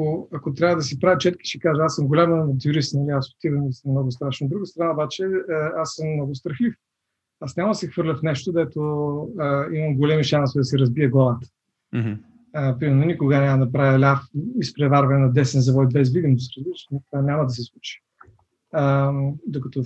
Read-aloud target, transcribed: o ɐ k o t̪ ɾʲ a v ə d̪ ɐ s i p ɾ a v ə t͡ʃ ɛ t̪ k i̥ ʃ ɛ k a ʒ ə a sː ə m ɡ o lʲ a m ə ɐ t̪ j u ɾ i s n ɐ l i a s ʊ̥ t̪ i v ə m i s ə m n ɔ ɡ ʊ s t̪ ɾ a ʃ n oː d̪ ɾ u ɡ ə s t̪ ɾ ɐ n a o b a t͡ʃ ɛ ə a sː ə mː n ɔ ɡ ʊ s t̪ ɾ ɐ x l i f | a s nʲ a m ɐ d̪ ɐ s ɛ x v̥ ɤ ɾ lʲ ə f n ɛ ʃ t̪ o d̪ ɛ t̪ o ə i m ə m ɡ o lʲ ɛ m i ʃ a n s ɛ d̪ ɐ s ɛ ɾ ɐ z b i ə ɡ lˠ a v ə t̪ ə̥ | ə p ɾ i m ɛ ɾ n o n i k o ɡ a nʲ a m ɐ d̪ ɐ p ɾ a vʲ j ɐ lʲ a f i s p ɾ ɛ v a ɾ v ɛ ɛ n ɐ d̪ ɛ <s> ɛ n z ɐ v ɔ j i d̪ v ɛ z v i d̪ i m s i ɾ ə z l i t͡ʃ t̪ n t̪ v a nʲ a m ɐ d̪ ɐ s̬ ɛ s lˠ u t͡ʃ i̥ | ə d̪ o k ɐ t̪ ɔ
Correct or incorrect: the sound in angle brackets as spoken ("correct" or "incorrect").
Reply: correct